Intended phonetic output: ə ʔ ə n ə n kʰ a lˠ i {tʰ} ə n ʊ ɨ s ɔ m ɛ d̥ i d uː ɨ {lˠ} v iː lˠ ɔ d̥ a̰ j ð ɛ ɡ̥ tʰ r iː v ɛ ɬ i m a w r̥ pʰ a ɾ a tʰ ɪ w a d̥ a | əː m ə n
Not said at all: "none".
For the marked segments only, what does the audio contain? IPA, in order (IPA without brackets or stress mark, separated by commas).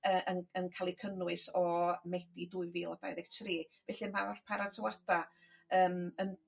kʰ, none